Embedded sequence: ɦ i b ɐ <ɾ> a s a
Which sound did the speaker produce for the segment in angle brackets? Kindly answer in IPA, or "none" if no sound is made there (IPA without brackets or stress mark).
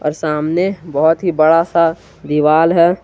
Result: ɽ